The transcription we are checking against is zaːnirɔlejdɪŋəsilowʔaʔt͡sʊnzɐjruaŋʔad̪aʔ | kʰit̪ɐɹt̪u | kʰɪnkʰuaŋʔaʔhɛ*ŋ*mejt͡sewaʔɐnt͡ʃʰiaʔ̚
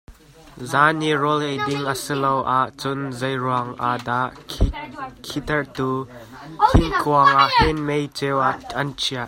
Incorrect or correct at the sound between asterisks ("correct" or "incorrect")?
incorrect